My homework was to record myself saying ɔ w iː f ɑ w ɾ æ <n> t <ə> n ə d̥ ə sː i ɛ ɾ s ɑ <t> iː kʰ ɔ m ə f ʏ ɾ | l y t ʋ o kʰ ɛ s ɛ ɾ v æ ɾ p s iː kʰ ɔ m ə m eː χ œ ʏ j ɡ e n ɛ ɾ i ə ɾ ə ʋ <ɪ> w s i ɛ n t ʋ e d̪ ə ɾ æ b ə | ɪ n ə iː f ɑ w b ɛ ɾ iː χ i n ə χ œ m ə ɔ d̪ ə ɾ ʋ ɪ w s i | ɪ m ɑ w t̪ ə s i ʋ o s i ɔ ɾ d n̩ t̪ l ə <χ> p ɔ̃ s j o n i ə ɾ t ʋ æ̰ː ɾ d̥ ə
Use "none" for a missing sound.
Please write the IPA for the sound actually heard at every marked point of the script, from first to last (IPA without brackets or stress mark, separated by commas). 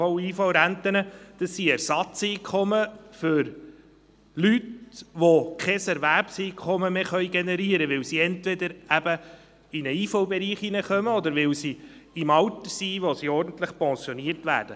n, ə, t͡s, ɪ, χ